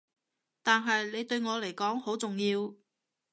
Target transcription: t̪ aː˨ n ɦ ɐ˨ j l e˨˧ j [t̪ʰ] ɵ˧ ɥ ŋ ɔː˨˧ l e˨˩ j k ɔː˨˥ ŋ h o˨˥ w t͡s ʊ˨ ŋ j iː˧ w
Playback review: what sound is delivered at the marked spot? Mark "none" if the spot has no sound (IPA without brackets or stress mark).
t̪